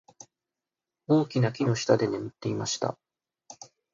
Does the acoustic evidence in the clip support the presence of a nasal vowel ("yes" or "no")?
no